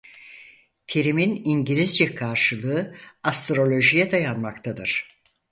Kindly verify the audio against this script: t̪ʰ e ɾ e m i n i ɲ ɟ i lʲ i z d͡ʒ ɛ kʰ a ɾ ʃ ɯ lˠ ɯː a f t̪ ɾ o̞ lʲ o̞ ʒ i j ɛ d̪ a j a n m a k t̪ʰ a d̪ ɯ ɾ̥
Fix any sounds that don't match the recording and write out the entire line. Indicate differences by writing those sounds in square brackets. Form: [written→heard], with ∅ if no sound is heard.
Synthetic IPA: t̪ʰ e ɾ [e→i] m i n i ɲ ɟ i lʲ i z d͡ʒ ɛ kʰ a ɾ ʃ ɯ lˠ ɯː a [f→s] t̪ ɾ o̞ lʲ o̞ ʒ i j ɛ d̪ a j a n m a k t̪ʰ a d̪ ɯ ɾ̥